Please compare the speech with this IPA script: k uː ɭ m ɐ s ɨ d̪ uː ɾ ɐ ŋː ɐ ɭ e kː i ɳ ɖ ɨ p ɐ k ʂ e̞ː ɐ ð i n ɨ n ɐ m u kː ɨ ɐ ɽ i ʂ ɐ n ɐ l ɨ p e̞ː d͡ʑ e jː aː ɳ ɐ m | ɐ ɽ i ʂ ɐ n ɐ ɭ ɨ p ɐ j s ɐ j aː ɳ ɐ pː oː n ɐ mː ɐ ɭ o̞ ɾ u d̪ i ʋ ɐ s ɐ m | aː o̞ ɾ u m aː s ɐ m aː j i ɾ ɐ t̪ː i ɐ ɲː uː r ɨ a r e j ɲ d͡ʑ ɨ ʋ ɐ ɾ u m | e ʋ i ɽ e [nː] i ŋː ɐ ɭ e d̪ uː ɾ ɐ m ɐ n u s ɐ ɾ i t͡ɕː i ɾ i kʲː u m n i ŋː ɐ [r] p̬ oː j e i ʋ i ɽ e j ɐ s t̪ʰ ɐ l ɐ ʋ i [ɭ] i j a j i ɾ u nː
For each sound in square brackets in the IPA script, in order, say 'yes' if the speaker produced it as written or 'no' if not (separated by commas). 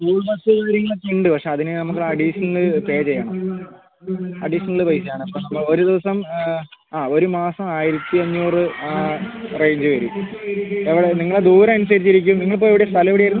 no, no, no